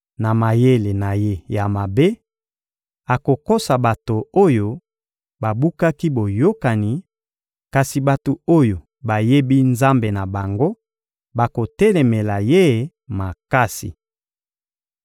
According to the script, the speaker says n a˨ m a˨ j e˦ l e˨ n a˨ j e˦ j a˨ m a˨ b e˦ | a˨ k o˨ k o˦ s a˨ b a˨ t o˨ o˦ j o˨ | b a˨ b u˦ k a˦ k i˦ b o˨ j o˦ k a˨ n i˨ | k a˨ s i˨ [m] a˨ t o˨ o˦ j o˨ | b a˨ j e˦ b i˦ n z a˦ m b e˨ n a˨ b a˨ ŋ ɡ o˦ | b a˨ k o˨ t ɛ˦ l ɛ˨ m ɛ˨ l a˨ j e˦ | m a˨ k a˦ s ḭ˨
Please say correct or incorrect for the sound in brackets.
incorrect